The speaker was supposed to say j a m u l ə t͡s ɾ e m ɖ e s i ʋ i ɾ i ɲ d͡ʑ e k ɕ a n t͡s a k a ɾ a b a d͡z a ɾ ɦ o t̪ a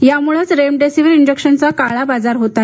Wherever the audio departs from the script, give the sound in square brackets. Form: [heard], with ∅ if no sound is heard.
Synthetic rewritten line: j a m u [ɭ] ə t͡s ɾ e m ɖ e s i ʋ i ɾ i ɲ d͡ʑ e k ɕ [ə] n t͡s a k a [ɭ] a b a d͡z a ɾ ɦ o t̪ a